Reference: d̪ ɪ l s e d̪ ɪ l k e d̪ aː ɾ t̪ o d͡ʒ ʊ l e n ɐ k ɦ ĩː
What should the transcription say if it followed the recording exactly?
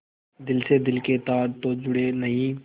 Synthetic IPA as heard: d̪ ɪ l s e d̪ ɪ l k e t̪ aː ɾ t̪ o d͡ʒ ʊ ɽ e n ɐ ɦ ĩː